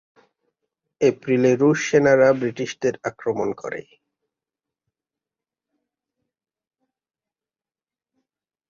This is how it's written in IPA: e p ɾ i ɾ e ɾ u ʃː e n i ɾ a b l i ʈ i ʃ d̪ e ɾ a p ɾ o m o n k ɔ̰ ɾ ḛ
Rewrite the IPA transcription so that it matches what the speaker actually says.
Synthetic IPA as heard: e p ɾ i l e ɾ u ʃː e n a ɾ a b ɾ i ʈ i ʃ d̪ e ɾ a k ɾ o m o n k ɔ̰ ɾ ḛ